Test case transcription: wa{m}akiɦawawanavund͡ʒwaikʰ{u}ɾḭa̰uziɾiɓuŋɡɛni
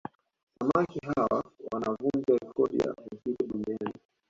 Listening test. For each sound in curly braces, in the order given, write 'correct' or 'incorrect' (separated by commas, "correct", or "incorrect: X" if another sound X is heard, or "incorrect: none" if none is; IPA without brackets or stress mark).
correct, incorrect: ɔ